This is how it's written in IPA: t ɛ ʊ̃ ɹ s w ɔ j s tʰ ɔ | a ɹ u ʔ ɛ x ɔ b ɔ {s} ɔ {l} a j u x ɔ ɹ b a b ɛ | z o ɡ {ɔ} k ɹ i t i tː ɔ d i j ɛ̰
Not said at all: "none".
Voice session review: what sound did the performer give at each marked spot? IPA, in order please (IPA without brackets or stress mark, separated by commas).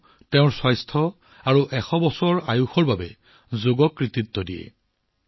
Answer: s, ɹ, ɔ